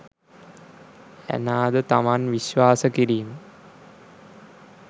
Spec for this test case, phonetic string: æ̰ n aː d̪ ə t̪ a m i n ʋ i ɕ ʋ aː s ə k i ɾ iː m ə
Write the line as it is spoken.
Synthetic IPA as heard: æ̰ n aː d̪ ə t̪ a m a n ʋ i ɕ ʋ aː s ə k i ɾ iː m ə